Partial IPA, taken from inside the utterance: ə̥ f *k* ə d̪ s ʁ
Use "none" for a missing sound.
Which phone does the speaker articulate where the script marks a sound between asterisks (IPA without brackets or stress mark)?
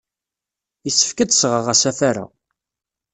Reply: k